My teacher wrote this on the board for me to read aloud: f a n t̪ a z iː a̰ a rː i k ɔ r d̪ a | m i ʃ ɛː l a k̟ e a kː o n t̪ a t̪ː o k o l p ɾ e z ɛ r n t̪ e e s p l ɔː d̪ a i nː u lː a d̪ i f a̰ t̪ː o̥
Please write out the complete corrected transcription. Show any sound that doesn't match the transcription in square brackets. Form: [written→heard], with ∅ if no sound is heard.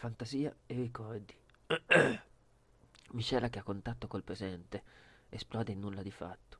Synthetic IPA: f a n t̪ a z iː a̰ [a→e] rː i k ɔ r d̪ [a→i] | m i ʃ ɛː l a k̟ e a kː o n t̪ a t̪ː o k o l p ɾ e z ɛ [r→∅] n t̪ e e s p l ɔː d̪ [a→e] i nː u lː a d̪ i f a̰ t̪ː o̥